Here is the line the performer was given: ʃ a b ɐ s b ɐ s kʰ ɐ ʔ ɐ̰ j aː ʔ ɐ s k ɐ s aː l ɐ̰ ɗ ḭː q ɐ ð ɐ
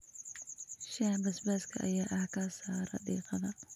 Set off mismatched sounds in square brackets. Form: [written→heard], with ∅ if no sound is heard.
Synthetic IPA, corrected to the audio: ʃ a b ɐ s b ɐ s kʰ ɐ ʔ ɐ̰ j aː ʔ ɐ [s→h] k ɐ s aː [l→ɾ] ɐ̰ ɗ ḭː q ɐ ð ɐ